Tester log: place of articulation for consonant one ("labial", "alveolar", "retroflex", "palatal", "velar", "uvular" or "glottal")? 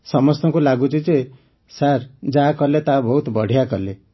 alveolar